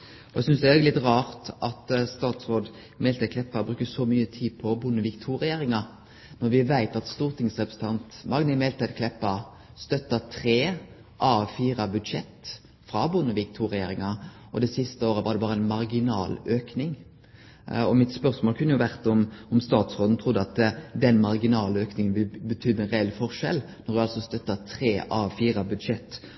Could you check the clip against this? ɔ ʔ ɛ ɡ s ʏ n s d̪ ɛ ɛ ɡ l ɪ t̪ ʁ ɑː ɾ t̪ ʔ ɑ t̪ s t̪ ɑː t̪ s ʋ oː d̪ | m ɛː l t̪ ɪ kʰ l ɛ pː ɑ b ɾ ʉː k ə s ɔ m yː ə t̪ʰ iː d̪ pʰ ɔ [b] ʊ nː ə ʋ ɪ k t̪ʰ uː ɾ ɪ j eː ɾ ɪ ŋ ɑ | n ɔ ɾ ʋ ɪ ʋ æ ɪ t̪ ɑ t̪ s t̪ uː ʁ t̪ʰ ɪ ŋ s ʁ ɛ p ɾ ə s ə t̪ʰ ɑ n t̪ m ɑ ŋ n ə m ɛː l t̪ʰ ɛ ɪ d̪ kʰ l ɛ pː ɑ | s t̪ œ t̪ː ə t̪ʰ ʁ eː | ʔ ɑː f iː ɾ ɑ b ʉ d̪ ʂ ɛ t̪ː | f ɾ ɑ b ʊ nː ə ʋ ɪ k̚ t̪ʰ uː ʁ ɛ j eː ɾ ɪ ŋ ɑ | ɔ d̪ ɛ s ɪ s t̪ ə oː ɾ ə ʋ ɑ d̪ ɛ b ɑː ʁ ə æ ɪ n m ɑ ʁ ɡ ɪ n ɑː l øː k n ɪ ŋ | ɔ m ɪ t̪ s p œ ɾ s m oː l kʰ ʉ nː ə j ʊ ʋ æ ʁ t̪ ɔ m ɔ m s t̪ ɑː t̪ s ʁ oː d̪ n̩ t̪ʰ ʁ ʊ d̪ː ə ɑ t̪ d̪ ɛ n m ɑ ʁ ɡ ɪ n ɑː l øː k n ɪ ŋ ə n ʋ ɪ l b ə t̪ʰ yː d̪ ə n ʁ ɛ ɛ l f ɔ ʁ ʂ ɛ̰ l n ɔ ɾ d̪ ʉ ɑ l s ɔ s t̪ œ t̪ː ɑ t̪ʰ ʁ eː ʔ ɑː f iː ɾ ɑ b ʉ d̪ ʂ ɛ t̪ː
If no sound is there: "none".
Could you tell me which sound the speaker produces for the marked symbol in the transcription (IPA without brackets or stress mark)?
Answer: b